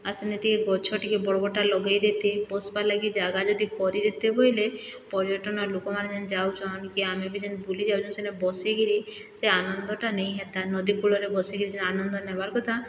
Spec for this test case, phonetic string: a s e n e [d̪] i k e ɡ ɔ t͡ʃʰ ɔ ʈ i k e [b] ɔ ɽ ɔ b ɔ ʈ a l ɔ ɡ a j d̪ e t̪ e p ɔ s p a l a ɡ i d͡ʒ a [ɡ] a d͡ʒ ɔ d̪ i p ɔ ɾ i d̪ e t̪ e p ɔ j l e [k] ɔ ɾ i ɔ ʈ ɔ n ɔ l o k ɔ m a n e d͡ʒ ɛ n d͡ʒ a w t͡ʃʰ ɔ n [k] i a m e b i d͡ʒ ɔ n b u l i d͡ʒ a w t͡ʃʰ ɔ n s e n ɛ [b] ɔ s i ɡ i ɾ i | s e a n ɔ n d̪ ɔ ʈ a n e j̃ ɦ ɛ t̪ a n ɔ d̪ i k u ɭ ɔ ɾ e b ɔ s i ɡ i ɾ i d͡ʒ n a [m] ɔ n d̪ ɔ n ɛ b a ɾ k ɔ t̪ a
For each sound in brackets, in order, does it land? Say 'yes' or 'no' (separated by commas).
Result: no, yes, yes, no, yes, yes, no